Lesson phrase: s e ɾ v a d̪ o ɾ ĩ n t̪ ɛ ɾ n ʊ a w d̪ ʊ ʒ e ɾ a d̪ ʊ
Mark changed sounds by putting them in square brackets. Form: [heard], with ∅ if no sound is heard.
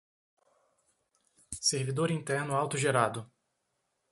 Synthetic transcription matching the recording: s e ɾ v [i] d̪ o ɾ ĩ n t̪ ɛ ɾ n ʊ a w [t̪] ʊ ʒ e ɾ a d̪ ʊ